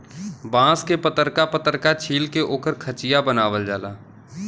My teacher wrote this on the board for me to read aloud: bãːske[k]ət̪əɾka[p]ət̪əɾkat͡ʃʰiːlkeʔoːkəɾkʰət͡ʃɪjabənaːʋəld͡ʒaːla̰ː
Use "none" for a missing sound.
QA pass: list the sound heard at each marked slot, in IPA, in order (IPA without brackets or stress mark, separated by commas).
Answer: p, p